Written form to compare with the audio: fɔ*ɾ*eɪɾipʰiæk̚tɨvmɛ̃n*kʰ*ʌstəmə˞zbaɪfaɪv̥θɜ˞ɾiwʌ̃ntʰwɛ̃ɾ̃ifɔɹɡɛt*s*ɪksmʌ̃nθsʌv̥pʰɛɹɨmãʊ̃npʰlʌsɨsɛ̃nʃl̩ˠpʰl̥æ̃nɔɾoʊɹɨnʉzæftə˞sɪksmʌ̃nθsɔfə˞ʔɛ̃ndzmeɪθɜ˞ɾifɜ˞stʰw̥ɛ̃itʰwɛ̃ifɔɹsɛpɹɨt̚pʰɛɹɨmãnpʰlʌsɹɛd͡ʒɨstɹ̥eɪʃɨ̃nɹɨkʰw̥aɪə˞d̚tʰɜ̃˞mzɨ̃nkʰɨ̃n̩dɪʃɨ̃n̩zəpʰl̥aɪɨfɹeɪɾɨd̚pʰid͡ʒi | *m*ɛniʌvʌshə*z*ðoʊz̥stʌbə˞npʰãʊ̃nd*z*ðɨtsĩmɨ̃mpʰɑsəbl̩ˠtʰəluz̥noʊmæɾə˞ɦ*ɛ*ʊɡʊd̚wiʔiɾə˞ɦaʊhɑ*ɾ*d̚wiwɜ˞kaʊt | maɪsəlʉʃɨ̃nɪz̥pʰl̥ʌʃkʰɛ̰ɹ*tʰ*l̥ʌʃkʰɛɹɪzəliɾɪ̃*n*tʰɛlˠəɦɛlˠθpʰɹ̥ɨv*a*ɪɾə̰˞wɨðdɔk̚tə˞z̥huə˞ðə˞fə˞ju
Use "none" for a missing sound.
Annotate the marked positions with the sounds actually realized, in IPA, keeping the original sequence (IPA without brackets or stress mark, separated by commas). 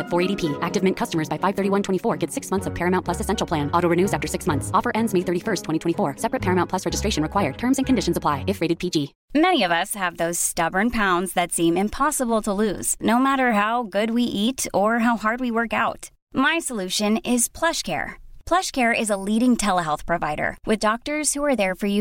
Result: ɹ, kʰ, s, m, v, z, a, ɹ, pʰ, ŋ, a